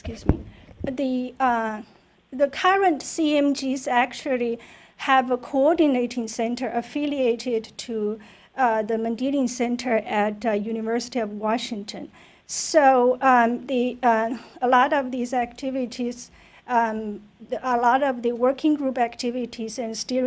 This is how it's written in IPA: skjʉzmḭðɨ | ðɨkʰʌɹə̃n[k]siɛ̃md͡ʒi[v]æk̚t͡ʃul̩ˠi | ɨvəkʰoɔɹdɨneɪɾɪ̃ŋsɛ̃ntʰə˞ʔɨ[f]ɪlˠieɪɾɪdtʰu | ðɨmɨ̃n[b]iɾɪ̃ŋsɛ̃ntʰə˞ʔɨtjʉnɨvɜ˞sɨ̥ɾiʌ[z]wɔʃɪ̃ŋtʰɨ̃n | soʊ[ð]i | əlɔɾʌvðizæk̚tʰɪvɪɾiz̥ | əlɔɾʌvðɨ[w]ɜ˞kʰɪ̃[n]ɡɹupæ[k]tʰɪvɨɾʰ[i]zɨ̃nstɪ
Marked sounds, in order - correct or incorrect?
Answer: incorrect: t, incorrect: z, correct, incorrect: d, incorrect: v, correct, correct, incorrect: ŋ, correct, correct

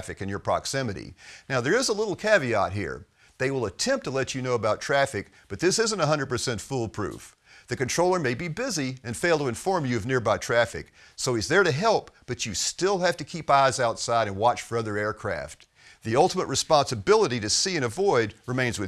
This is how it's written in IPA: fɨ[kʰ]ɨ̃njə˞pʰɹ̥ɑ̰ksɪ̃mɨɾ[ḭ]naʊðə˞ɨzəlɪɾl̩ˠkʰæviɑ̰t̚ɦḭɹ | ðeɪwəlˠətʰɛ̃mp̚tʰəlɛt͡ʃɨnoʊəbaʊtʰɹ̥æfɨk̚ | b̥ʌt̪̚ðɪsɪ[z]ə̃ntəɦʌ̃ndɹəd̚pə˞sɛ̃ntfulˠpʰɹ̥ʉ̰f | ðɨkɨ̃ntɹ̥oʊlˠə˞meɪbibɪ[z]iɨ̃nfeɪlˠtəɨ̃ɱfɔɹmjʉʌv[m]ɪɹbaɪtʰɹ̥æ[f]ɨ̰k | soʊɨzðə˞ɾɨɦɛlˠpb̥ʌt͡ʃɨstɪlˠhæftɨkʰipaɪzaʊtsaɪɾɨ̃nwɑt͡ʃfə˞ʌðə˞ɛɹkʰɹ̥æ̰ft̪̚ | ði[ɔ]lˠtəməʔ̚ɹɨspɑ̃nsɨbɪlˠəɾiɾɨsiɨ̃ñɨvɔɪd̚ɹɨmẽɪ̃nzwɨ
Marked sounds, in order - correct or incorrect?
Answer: incorrect: k, correct, correct, correct, incorrect: n, correct, incorrect: ʌ

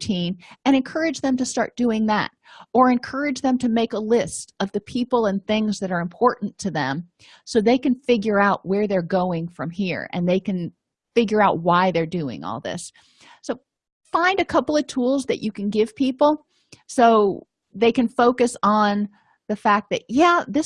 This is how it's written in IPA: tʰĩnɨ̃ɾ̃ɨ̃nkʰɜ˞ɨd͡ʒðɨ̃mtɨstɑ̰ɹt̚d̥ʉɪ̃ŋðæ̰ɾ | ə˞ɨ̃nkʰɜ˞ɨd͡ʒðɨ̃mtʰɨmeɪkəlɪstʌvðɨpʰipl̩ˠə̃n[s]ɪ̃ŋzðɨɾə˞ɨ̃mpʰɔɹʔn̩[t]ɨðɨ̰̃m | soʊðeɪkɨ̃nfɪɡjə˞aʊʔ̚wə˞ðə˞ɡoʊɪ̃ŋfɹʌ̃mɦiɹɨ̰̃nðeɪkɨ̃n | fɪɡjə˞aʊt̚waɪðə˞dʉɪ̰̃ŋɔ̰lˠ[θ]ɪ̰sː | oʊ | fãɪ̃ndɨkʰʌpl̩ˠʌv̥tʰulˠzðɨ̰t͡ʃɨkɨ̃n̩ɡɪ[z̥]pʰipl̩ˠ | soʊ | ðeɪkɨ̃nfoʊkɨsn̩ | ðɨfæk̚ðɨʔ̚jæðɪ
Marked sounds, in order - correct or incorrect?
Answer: incorrect: θ, incorrect: tʰ, incorrect: ð, incorrect: v̥

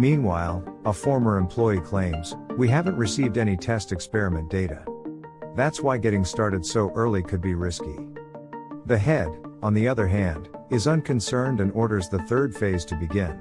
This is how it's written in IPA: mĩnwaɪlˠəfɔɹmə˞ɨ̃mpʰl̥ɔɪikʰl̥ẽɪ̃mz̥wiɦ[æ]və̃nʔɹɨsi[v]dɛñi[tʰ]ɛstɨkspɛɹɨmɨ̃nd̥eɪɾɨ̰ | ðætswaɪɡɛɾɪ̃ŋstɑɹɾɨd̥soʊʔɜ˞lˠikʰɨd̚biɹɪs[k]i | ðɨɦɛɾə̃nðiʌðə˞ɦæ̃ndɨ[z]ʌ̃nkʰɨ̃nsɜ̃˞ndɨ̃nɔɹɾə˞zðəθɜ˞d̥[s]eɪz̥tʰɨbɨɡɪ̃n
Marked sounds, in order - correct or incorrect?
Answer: correct, correct, correct, correct, correct, incorrect: f

